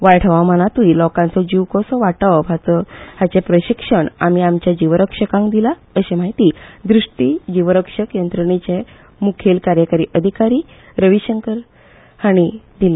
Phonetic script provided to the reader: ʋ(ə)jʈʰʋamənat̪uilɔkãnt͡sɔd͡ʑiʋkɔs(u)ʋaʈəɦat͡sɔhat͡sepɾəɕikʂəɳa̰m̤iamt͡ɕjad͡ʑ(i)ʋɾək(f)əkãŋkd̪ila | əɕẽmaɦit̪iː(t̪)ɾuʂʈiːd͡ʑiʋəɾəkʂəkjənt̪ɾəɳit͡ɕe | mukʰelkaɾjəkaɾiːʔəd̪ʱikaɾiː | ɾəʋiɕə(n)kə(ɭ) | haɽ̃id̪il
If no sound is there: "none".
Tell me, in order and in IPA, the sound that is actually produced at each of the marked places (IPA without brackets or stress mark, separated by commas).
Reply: a, ɔ, i, ʂ, d̪, ŋ, ɾ